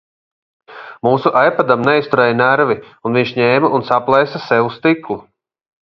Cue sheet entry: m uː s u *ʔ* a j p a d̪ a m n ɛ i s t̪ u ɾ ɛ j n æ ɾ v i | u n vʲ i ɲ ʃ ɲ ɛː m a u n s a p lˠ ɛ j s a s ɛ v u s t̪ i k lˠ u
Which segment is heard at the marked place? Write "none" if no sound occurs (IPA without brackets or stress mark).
ʔ